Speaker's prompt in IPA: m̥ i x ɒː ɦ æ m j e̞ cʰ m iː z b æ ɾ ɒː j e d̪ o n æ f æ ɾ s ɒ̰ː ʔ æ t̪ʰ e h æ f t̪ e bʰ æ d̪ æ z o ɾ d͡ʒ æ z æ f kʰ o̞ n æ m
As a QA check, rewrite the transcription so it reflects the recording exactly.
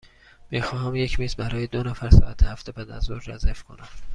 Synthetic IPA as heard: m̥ i x ɒː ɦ æ m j e̞ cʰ m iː z b æ ɾ ɒː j e d̪ o n æ f æ ɾ s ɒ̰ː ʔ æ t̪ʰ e h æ f t̪ e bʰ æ d̪ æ z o ɾ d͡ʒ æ z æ f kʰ o̞ n æ m